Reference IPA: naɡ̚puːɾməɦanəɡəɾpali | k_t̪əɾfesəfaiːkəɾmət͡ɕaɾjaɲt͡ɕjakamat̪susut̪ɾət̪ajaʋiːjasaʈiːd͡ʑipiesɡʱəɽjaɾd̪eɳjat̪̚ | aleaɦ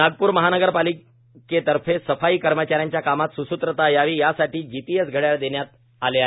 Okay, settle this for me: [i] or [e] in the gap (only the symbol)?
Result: e